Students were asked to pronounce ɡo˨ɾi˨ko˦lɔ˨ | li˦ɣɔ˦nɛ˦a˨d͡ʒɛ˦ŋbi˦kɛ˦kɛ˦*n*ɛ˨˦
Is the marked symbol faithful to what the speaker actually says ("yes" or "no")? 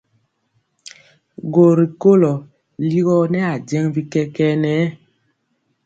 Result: yes